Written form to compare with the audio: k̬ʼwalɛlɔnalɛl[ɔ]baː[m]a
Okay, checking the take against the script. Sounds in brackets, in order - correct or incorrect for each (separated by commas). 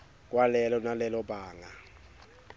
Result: correct, incorrect